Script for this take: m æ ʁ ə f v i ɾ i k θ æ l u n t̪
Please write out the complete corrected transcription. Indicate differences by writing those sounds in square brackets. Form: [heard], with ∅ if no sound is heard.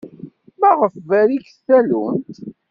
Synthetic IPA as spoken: m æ ʁ ə f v [æ] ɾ i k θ æ l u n t̪